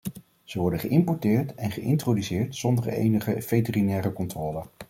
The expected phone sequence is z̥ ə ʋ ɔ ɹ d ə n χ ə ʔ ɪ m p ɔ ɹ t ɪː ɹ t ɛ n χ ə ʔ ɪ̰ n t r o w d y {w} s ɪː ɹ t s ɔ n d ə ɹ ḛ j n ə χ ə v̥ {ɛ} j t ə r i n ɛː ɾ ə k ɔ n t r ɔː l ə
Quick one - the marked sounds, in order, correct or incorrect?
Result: incorrect: none, incorrect: e

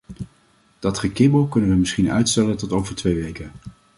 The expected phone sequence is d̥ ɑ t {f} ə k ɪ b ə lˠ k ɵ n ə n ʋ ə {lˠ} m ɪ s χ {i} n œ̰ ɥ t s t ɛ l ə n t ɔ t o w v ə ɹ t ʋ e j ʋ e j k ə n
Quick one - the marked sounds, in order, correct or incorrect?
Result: incorrect: χ, incorrect: none, correct

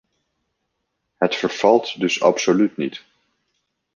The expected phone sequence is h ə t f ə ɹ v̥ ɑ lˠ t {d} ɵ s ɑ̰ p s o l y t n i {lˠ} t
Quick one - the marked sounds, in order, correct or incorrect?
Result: correct, incorrect: none

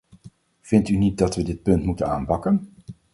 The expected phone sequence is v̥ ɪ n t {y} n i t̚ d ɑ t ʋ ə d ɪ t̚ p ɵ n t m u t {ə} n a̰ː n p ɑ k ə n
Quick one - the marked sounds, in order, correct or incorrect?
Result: correct, correct

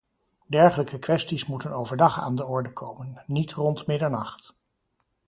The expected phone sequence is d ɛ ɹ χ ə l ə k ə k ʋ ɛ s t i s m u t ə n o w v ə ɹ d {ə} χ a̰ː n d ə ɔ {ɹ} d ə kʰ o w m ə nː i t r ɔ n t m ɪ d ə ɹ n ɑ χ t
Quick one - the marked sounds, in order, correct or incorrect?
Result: incorrect: ɑ, correct

